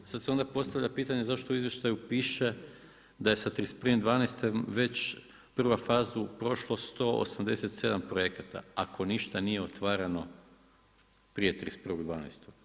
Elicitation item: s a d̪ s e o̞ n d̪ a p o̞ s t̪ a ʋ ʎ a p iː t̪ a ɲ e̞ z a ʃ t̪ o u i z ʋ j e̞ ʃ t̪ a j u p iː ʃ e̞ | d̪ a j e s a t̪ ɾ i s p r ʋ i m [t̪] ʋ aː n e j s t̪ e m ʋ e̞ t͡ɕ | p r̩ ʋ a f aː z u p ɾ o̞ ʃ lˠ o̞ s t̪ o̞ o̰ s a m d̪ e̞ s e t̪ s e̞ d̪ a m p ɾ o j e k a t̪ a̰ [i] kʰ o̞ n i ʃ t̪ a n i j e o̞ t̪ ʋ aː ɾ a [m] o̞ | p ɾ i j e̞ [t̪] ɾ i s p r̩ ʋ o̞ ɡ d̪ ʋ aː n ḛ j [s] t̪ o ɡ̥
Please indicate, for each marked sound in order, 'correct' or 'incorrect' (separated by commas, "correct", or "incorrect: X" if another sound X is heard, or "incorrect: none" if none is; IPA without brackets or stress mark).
incorrect: d̪, incorrect: a, incorrect: n, correct, correct